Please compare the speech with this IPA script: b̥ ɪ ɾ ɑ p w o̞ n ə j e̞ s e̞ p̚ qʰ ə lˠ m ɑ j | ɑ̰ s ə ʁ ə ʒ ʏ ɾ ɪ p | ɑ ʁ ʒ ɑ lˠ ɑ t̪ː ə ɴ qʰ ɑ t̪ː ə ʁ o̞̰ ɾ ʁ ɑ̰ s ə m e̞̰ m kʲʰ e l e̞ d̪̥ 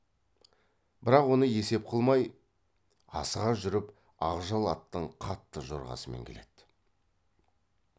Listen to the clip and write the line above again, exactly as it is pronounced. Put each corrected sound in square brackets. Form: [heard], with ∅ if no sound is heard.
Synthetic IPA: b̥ ɪ ɾ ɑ [q] w o̞ n ə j e̞ s e̞ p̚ qʰ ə lˠ m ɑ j | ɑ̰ s ə ʁ [ɑ] ʒ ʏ ɾ ɪ p | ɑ ʁ ʒ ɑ lˠ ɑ t̪ː ə ɴ qʰ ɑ t̪ː ə [ʒ] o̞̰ ɾ ʁ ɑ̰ s ə m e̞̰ [ŋ] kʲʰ e l e̞ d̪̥